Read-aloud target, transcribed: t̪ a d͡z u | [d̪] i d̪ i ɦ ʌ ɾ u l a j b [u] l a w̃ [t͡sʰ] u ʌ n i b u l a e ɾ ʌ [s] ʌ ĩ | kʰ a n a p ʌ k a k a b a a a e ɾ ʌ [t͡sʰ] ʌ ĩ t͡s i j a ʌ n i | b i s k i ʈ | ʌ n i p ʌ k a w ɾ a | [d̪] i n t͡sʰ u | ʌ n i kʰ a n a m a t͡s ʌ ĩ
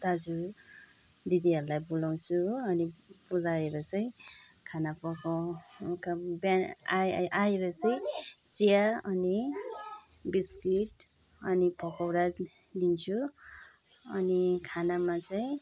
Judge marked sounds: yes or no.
yes, yes, yes, no, no, yes

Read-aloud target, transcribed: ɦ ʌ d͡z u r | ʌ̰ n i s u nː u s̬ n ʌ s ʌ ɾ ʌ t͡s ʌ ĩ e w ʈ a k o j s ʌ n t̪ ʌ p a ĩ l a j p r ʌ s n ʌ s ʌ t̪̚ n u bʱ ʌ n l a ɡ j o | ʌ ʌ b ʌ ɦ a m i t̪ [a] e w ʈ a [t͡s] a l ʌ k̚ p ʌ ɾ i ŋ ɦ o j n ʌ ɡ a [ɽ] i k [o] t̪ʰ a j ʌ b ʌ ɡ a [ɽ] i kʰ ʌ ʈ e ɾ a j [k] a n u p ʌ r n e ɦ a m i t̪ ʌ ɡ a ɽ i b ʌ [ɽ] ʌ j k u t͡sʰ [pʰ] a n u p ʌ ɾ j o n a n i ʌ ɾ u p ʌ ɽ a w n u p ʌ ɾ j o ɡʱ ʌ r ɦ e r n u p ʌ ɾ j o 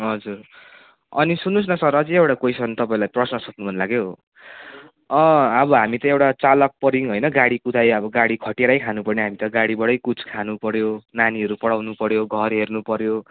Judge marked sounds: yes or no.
no, yes, yes, no, yes, no, yes, no

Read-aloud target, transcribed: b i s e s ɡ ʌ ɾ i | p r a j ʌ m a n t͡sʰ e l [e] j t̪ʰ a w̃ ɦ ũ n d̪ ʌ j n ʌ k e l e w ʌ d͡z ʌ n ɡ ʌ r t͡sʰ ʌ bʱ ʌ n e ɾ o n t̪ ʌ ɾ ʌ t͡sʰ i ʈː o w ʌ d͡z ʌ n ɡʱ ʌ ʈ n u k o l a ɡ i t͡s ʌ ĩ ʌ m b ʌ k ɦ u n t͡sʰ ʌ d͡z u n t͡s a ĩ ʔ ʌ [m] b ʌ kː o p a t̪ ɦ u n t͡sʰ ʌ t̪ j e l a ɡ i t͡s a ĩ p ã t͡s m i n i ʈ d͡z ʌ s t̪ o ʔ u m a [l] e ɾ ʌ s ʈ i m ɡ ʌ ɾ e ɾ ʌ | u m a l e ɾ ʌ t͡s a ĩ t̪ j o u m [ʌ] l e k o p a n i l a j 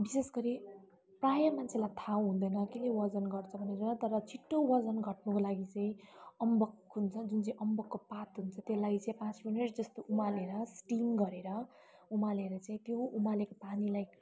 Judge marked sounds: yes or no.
no, yes, yes, no

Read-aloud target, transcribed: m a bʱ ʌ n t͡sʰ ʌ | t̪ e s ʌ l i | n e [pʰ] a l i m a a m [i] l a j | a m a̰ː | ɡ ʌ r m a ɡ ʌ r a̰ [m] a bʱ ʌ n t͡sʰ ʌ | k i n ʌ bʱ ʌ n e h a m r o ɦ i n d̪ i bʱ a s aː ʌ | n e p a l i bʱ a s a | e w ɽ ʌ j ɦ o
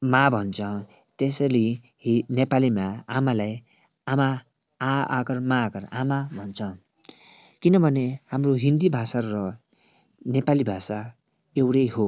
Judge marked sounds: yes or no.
no, no, yes

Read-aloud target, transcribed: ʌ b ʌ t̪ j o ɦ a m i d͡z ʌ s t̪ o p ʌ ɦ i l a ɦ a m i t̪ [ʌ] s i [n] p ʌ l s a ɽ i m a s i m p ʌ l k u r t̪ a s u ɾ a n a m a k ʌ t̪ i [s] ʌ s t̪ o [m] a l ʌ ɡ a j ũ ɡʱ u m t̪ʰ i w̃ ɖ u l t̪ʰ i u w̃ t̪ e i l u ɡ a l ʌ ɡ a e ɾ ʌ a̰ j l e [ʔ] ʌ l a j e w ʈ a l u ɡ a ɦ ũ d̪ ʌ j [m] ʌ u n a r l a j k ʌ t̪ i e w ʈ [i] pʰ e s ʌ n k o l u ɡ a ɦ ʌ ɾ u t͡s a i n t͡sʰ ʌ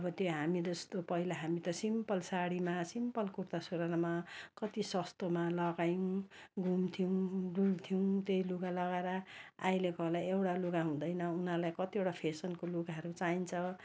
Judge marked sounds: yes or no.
yes, no, yes, yes, no, no, no

